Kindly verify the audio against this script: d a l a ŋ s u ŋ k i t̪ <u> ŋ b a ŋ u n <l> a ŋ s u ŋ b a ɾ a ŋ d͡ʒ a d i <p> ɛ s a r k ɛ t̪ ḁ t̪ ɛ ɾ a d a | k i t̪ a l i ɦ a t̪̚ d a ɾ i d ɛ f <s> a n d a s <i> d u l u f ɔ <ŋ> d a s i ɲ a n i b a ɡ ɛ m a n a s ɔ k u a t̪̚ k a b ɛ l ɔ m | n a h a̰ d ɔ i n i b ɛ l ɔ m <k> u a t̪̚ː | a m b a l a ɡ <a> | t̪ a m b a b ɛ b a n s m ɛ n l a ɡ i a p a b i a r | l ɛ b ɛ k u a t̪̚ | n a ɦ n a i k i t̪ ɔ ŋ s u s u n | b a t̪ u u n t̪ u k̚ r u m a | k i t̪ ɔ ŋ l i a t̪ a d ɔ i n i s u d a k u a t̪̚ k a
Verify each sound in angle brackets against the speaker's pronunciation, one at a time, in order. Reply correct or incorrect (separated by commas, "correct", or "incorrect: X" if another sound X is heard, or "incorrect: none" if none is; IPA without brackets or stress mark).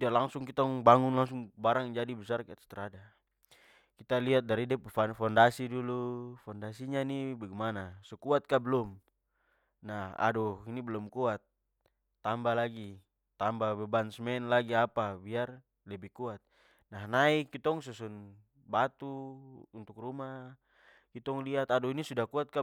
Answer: incorrect: ɔ, correct, incorrect: b, incorrect: f, correct, incorrect: n, correct, incorrect: i